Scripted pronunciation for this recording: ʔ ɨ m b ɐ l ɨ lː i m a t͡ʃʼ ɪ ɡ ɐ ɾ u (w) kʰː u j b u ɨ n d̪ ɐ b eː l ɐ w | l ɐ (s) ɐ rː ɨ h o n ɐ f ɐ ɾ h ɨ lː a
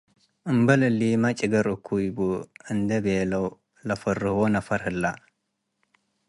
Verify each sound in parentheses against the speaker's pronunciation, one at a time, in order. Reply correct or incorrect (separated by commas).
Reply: incorrect, incorrect